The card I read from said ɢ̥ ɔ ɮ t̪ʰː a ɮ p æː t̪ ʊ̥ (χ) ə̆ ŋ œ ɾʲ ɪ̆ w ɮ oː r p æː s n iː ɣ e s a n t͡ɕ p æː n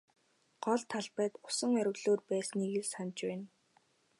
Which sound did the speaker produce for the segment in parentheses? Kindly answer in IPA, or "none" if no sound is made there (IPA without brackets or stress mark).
s